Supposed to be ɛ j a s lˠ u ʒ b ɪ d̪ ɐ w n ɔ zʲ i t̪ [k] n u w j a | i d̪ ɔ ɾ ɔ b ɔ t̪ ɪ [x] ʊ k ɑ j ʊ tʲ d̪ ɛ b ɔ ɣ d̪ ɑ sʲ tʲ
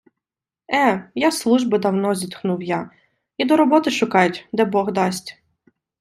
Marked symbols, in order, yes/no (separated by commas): no, no